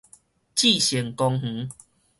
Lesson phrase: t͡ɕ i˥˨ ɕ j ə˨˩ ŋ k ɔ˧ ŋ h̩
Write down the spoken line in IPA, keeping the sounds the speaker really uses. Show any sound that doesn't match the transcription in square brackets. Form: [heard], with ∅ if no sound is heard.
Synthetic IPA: t͡ɕ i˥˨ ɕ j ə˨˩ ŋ k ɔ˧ ŋ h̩